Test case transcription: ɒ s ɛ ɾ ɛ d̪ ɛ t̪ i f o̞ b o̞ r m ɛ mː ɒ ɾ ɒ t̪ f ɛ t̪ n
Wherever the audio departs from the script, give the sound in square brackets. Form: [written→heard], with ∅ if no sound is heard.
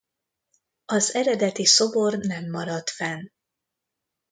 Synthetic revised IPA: ɒ [s→z] ɛ ɾ ɛ d̪ ɛ t̪ i [f→s] o̞ b o̞ r [m→n] ɛ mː ɒ ɾ ɒ t̪ f ɛ [t̪→∅] n